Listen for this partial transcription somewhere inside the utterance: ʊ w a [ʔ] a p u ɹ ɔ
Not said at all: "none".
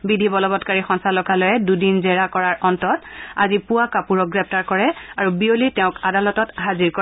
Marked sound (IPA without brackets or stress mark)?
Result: k